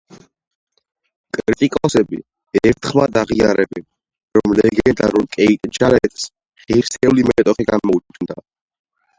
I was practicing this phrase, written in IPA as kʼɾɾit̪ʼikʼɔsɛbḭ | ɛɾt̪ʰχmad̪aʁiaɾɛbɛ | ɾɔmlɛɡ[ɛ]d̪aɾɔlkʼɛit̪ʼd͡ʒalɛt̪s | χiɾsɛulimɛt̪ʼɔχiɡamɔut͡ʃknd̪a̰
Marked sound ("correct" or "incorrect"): correct